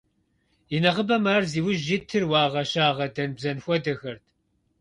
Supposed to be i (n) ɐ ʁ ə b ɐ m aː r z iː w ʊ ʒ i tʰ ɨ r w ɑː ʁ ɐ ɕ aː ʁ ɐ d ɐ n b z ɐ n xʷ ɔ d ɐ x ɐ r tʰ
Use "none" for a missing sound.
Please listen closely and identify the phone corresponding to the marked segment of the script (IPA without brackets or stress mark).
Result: n